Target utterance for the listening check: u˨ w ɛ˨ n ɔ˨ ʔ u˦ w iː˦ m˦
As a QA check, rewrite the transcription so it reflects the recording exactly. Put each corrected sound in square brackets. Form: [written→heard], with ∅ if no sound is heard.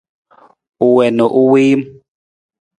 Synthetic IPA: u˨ w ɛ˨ n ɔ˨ ʔ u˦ w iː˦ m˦